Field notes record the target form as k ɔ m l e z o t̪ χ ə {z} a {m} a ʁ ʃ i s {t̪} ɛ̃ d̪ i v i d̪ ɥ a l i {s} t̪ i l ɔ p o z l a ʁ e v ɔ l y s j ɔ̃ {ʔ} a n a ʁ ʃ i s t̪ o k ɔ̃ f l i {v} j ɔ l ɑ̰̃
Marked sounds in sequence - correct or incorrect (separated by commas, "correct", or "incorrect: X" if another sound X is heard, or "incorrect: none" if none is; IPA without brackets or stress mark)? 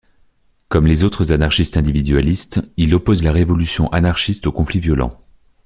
correct, incorrect: n, correct, correct, correct, correct